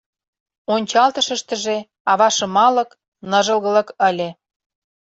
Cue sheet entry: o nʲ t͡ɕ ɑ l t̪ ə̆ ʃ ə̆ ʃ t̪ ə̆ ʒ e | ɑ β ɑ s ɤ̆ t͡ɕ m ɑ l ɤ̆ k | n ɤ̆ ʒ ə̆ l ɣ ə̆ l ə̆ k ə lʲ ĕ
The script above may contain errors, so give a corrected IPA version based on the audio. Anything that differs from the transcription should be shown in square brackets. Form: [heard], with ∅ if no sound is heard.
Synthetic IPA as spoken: o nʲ t͡ɕ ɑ l t̪ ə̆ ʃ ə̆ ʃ t̪ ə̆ ʒ e | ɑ β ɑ [ʃ] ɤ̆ [∅] m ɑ l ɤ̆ k | n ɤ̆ ʒ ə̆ l ɣ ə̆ l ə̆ k ə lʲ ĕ